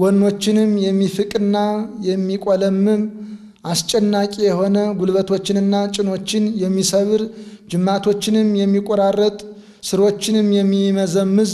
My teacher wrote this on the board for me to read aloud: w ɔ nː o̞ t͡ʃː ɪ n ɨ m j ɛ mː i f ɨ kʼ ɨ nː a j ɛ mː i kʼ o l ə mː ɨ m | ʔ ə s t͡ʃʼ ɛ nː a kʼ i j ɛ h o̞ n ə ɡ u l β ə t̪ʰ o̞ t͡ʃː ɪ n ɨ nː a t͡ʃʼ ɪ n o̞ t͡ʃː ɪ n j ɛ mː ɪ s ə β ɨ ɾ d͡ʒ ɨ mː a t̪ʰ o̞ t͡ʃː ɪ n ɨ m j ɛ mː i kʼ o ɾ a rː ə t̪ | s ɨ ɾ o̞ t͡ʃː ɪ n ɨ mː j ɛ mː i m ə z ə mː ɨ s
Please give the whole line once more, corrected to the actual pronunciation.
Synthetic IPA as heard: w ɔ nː o̞ t͡ʃː ɪ n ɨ m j ɛ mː i f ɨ kʼ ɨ nː a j ɛ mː i kʼ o l ə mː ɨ m | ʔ a s t͡ʃʼ ɛ nː a kʼ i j ɛ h o̞ n ə ɡ u l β ə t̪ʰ o̞ t͡ʃː ɪ n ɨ nː a t͡ʃʼ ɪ n o̞ t͡ʃː ɪ n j ɛ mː i s ə β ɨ ɾ d͡ʒ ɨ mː a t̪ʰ o̞ t͡ʃː ɪ n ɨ m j ɛ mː i kʼ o ɾ a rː ə t̪ʼ | s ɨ ɾ o̞ t͡ʃː ɪ n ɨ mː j ɛ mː i m ə z ə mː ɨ z